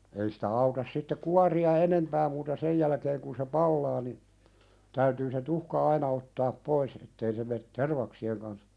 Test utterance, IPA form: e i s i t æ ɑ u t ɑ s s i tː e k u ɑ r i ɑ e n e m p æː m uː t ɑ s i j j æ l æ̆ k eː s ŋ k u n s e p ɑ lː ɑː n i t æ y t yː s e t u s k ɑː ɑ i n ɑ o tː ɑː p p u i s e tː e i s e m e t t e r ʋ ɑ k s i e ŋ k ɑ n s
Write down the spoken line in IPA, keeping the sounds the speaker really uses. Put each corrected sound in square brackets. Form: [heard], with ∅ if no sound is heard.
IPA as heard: e i s i t æ ɑ u t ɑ s s i tː e k u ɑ r i ɑ e n e m p æː m uː t ɑ s [e] j j æ l æ̆ k eː [∅] ŋ k u n s e p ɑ lː ɑː n i t æ y t yː s e t u [h] k [ɑ] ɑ i n ɑ o tː ɑː p p [o] i s e tː e i s e m e t t e r ʋ ɑ k s i e ŋ k ɑ n s